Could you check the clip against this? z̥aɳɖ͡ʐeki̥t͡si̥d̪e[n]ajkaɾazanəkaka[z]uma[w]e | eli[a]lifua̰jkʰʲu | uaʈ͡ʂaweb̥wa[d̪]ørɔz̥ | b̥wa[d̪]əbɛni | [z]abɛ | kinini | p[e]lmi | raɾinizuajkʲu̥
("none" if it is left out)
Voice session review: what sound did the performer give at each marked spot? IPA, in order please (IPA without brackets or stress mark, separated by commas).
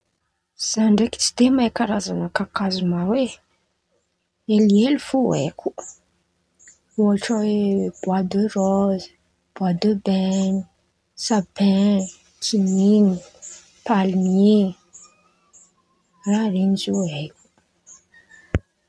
m, z, w, e, d̪, d̪, s, a